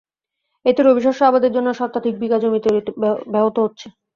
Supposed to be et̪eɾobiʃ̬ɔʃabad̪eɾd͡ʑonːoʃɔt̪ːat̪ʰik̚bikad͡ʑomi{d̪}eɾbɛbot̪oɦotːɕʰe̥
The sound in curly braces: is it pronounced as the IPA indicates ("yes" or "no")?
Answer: no